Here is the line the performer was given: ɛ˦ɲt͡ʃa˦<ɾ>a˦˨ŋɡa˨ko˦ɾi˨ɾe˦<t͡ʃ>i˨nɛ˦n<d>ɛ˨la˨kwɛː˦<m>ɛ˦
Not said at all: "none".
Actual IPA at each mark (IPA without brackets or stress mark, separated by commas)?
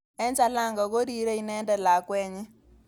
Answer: l, none, d, ɲ